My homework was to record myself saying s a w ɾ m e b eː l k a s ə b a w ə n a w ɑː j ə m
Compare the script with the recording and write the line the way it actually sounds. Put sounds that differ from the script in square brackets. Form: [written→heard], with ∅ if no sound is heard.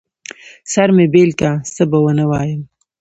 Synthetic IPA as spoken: s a [w→∅] ɾ m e b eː l k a s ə b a w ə n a w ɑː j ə m